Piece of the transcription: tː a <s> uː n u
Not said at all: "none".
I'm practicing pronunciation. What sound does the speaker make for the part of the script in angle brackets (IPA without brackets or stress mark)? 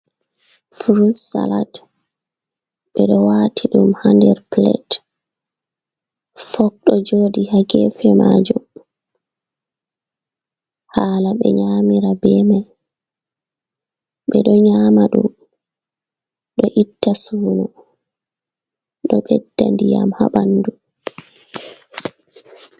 s